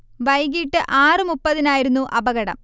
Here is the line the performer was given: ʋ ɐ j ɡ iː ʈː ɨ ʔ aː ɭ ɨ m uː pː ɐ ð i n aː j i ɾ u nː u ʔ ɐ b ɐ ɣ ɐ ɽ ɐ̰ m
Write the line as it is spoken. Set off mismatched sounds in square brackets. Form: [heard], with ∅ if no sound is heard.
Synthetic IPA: ʋ ɐ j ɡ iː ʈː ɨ ʔ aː [r] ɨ m [u] pː ɐ ð i n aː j i ɾ u nː u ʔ ɐ b ɐ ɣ ɐ ɽ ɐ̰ m